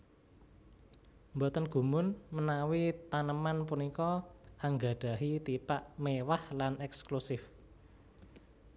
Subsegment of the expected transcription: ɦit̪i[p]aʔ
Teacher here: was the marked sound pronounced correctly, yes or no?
yes